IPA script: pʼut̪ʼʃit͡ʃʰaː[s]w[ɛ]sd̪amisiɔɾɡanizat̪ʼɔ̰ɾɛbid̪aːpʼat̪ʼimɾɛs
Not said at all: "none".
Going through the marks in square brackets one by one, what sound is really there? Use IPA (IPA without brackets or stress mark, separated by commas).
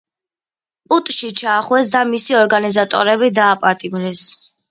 χ, ɛ